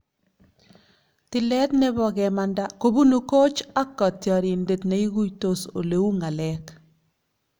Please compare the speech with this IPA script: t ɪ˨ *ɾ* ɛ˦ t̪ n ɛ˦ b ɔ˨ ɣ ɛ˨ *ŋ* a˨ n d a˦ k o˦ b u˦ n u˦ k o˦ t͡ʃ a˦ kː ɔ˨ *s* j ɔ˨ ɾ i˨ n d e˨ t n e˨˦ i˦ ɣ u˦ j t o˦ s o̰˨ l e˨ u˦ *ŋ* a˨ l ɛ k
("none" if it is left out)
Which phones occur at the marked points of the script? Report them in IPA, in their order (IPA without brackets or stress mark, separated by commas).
l, m, t, ŋ